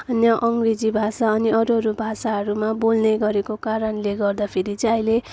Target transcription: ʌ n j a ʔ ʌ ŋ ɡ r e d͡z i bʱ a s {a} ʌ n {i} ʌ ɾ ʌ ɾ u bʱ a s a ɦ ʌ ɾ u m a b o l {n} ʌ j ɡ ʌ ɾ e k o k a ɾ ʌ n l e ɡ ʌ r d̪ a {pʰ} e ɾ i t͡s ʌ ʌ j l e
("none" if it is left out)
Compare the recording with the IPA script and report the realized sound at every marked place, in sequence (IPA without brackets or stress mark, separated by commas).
a, i, n, pʰ